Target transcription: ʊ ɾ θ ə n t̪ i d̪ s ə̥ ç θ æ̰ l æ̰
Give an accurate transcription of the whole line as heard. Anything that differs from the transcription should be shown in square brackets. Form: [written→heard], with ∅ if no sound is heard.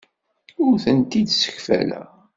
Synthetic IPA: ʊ ɾ θ ə n t̪ i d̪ s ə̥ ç [θ→f] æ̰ l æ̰